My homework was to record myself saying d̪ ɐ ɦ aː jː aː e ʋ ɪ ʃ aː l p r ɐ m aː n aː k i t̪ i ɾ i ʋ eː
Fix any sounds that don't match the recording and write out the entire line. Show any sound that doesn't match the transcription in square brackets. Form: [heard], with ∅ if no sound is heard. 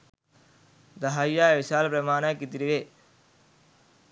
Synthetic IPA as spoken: d̪ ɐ ɦ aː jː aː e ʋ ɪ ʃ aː l p [ɾ] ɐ m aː n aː k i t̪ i ɾ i ʋ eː

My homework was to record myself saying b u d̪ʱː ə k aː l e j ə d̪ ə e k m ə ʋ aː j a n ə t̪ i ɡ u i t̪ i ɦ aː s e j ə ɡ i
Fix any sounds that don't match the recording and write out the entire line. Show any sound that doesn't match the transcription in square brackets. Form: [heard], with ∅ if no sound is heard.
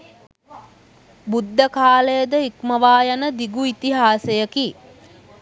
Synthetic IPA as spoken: b u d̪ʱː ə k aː l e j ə d̪ ə [i] k m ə ʋ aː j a n ə [d̪] i ɡ u i t̪ i ɦ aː s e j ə [k] i

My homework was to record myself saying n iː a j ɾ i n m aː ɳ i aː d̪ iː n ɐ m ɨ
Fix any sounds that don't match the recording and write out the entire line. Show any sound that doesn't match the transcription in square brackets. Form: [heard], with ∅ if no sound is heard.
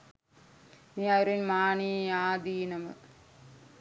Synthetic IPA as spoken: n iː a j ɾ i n m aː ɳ i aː d̪ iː n ɐ m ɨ

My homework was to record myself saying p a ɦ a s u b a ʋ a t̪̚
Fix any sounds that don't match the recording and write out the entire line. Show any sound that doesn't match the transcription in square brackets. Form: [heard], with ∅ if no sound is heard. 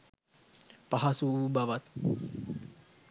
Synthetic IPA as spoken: p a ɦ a s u b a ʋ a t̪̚

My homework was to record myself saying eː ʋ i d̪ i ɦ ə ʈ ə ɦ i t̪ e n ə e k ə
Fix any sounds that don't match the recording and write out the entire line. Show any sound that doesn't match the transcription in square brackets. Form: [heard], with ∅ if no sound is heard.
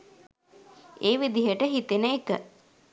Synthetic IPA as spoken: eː ʋ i d̪ i ɦ ə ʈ ə ɦ i t̪ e n ə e k ə

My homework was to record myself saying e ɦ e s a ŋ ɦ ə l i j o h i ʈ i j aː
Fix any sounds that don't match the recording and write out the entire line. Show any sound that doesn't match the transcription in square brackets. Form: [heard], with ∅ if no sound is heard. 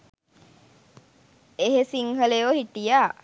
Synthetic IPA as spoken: e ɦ e s [i] ŋ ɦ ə l [e] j o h i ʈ i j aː

